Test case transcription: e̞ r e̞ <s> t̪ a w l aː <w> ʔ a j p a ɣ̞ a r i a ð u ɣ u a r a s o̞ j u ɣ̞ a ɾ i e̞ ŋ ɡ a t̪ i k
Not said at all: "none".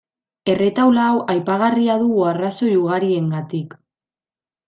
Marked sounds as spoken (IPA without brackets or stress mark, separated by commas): none, w